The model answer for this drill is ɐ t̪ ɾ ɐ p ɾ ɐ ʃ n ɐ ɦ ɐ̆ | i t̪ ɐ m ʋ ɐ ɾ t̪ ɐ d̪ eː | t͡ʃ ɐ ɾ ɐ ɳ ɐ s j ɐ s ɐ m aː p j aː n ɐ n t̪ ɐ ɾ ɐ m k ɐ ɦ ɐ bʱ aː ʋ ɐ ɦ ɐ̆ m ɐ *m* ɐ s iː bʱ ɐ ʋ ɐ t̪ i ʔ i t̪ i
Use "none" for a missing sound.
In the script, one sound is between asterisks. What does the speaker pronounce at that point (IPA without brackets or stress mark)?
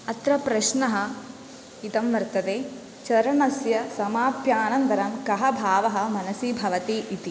n